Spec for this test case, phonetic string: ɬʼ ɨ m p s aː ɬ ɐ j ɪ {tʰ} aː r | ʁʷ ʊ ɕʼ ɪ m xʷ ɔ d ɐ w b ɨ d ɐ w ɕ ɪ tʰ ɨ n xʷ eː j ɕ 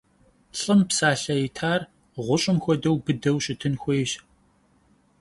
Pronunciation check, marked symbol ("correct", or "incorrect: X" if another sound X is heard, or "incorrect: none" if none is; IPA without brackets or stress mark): correct